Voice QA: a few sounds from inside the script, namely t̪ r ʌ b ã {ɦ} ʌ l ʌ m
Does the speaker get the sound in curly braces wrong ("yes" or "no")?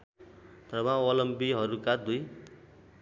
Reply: yes